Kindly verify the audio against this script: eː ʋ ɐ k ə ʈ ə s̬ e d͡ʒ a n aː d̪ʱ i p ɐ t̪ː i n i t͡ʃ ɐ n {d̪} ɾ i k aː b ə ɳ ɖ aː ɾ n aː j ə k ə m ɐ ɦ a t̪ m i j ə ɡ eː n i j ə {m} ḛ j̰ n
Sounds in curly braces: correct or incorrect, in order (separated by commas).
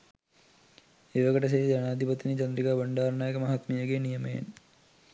correct, correct